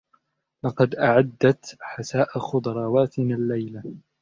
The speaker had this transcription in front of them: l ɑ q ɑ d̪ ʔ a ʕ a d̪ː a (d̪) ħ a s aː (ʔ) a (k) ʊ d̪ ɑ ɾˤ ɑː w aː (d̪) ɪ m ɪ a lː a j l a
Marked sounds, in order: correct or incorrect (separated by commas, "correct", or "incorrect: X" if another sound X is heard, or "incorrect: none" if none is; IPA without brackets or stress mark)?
incorrect: t̪, correct, incorrect: x, incorrect: t̪